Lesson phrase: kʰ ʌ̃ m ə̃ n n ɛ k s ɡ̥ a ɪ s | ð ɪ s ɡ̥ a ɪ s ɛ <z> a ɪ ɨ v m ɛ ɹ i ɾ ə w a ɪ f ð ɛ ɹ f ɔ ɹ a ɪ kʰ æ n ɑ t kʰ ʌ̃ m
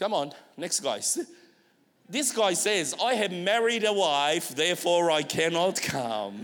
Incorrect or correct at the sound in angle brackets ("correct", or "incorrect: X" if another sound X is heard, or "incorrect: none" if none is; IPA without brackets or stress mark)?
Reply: correct